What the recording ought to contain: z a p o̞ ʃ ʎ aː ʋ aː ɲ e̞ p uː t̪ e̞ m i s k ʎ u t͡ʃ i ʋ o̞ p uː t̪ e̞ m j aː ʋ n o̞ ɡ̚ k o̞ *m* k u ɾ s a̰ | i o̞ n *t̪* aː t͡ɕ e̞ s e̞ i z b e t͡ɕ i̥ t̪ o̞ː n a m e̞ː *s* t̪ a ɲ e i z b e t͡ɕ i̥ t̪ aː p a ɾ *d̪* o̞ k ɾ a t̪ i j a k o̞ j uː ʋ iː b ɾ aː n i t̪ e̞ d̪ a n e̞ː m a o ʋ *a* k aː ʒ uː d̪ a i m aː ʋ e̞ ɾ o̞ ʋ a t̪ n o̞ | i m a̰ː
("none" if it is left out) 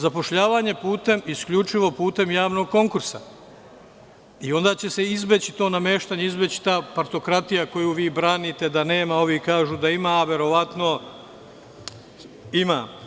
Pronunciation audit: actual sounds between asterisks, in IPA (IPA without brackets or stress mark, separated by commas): ŋ, d̪, ʃ, t̪, i